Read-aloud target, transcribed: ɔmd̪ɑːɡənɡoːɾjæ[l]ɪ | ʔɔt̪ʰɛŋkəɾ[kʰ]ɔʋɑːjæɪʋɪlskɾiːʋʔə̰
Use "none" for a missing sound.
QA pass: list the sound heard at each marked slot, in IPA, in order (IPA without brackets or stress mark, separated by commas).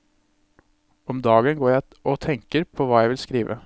none, pʰ